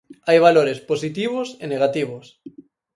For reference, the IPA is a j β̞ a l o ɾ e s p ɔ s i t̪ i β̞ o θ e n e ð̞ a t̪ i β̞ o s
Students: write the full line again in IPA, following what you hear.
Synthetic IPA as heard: a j β̞ a l o ɾ e s p o s i t̪ i β̞ o s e n e ɣ̞ a t̪ i β̞ o s

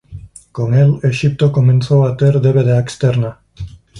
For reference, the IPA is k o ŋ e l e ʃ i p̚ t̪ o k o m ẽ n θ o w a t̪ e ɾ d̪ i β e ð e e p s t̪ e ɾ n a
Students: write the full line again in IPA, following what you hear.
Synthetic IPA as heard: k o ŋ e l e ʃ i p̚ t̪ o k o m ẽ n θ o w a t̪ e ɾ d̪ e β e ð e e k s t̪ e ɾ n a

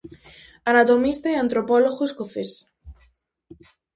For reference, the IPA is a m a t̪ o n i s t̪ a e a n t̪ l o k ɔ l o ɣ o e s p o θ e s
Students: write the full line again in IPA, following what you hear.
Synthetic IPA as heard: a n a t̪ o m i s t̪ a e a n t̪ ɾ o p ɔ l o ɣ o e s k o θ e s

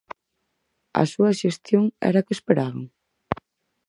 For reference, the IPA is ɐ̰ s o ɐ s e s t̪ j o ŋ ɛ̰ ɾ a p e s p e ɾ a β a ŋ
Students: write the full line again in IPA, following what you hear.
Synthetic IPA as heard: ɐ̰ s u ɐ ʃ e s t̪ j o ŋ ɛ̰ ɾ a k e s p e ɾ a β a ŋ

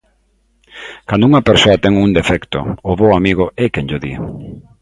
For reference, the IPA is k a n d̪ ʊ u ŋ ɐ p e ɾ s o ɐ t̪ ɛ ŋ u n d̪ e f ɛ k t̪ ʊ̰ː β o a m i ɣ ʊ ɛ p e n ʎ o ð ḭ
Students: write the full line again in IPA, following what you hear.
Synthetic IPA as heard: k a n d̪ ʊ u ŋ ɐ p e ɾ s o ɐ t̪ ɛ ŋ u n d̪ e f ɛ k t̪ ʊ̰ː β o a m i ɣ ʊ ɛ k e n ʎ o ð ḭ

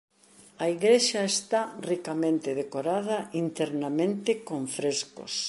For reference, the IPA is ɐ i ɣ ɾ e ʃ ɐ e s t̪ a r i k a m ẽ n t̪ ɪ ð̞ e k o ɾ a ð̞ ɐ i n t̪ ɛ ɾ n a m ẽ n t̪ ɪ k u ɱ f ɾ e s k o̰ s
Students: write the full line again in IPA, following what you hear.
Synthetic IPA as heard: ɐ i ɣ ɾ e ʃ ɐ e s t̪ a r i k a m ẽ n t̪ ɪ ð̞ e k o ɾ a ð̞ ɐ i n t̪ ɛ ɾ n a m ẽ n t̪ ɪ k o ɱ f ɾ e s k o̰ s

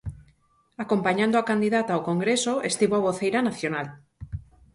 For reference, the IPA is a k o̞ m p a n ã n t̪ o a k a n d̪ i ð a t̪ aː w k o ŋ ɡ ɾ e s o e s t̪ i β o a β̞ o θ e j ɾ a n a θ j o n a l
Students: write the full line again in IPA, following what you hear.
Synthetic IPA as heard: a k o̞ m p a ɲ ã n d̪ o a k a n d̪ i ð a t̪ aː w k o ŋ ɡ ɾ e s o e s t̪ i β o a β̞ o θ e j ɾ a n a θ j o n a l

